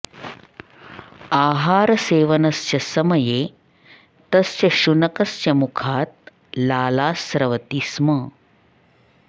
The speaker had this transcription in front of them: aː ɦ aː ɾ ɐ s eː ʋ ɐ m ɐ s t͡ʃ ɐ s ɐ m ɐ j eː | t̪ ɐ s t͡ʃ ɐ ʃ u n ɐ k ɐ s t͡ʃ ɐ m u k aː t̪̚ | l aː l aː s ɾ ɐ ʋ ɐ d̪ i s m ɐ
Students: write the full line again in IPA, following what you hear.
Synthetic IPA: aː ɦ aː ɾ ɐ s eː ʋ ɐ n ɐ s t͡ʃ ɐ s ɐ m ɐ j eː | t̪ ɐ s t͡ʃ ɐ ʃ u n ɐ k ɐ s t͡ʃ ɐ m u kʰ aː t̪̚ | l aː l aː s ɾ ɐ ʋ ɐ t̪ i s m ɐ

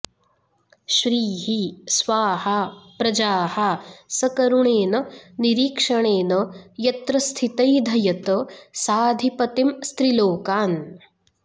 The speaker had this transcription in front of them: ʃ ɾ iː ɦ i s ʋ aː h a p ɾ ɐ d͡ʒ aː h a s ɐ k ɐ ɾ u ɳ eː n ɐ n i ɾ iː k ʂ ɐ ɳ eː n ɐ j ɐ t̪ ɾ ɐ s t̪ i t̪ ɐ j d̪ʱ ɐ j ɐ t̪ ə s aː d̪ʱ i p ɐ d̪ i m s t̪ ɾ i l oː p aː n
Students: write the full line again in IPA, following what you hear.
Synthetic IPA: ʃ ɾ iː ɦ i s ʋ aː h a p ɾ ɐ d͡ʒ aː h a s ɐ k ɐ ɾ u ɳ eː n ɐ n i ɾ iː k ʂ ɐ ɳ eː n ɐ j ɐ t̪ ɾ ɐ s t̪ʰ i t̪ ɐ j d̪ʱ ɐ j ɐ t̪ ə s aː d̪ʱ i p ɐ t̪ i m s t̪ ɾ i l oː k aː n

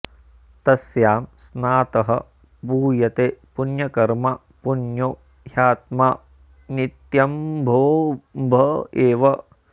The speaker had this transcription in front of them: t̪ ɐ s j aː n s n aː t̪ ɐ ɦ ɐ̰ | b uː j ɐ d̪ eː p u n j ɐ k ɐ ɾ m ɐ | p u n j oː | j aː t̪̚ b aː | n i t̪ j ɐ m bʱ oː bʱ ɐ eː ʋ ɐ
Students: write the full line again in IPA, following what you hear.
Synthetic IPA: t̪ ɐ s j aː m s n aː t̪ ɐ ɦ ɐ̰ | b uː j ɐ t̪ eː p u n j ɐ k ɐ ɾ m ɐ | p u n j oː | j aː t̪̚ m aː | n i t̪ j ɐ m bʱ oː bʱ ɐ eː ʋ ɐ

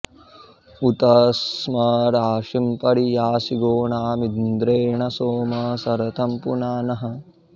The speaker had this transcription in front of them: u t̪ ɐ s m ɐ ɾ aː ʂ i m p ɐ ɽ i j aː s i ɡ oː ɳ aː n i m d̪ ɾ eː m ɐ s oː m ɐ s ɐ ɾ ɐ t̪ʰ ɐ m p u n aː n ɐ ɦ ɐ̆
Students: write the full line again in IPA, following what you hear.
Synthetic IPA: u t̪ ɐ s m ɐ ɾ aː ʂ i m p ɐ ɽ i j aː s i ɡ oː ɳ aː m i n d̪ ɾ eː ɳ ɐ s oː m ɐ s ɐ ɾ ɐ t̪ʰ ɐ m p u n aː n ɐ ɦ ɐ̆

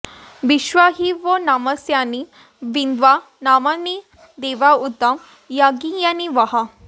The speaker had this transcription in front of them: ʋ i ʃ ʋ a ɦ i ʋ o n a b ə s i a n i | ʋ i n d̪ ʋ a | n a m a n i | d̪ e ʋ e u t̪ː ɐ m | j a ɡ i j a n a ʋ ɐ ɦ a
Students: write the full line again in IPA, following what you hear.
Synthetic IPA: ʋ i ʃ ʋ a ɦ i ʋ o n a m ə s j a n i | ʋ i n d̪ ʋ a | n a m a n i | d̪ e ʋ a u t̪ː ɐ m | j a ɡ i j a n i ʋ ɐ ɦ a

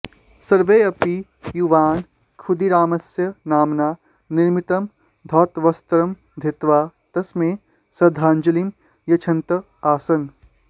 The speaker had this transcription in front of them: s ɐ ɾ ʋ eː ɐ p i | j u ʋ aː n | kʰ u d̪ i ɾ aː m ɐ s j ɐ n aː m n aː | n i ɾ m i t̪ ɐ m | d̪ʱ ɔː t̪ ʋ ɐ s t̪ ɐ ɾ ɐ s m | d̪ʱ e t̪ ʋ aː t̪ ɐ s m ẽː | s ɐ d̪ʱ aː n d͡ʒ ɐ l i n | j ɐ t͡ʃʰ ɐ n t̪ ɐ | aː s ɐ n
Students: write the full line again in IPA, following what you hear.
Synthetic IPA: s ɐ ɾ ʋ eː ɐ p i | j u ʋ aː n | kʰ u d̪ i ɾ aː m ɐ s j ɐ n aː m n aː | n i ɾ m i t̪ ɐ m | d̪ʱ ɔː t̪ ʋ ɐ s t̪ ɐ ɾ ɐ m | d̪ʱ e t̪ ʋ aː t̪ ɐ s m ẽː | s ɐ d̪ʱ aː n d͡ʒ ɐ l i m | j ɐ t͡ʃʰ ɐ n t̪ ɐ | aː s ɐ n

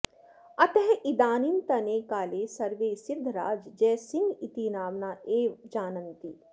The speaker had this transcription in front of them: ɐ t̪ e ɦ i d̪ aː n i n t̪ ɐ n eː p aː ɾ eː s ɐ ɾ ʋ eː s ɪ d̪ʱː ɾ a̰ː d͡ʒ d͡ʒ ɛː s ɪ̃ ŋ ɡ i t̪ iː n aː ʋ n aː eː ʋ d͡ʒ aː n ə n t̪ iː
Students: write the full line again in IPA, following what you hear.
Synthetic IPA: ɐ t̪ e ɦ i d̪ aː n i n t̪ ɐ n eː k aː l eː s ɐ ɾ ʋ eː s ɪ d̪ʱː ɾ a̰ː d͡ʒ d͡ʒ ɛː s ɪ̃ ŋ ɡ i t̪ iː n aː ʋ n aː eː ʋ d͡ʒ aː n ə n t̪ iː

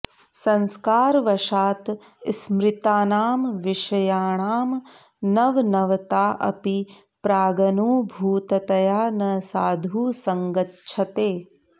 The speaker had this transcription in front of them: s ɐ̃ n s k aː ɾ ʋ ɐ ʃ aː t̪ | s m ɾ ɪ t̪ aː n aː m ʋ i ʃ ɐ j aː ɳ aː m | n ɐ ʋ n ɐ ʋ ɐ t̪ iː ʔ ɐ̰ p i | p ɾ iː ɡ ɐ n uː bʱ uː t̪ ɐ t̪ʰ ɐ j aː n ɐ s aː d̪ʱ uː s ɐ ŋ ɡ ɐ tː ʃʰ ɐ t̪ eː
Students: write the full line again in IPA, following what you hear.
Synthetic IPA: s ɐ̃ n s k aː ɾ ʋ ɐ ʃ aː t̪ | s m ɾ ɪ t̪ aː n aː m ʋ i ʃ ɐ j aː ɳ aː m | n ɐ ʋ n ɐ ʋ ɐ t̪ aː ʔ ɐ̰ p i | p ɾ aː ɡ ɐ n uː bʱ uː t̪ ɐ t̪ ɐ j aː n ɐ s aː d̪ʱ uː s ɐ ŋ ɡ ɐ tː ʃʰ ɐ t̪ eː

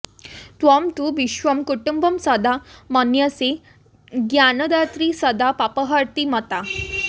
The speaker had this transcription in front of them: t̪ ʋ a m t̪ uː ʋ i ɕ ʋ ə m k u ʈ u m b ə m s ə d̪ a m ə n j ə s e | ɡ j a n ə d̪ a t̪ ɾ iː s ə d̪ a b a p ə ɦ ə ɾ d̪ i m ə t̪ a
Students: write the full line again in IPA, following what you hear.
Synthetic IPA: t̪ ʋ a m t̪ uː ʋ i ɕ ʋ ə m k u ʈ u m b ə m s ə d̪ a m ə n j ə s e | ɡ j a n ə d̪ a t̪ ɾ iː s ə d̪ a p a p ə ɦ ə ɾ t̪ i m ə t̪ a

